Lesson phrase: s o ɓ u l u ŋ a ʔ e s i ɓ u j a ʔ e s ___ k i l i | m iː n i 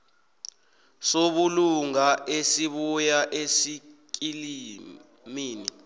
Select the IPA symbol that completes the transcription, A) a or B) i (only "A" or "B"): B